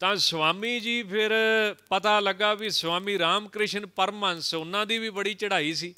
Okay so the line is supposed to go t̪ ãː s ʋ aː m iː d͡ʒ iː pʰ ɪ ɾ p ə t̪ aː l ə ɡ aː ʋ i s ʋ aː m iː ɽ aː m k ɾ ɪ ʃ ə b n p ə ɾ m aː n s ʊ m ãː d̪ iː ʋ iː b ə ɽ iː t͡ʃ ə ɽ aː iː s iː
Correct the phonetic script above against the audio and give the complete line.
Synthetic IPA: t̪ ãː s ʋ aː m iː d͡ʒ iː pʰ ɪ ɾ p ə t̪ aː l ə ɡ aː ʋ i s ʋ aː m iː ɾ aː m k ɾ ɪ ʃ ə n p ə ɾ m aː n s ʊ n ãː d̪ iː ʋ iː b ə ɽ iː t͡ʃ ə ɽ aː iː s iː